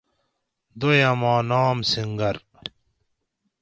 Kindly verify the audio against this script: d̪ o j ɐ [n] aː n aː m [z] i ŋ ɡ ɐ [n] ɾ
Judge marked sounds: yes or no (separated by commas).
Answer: no, no, no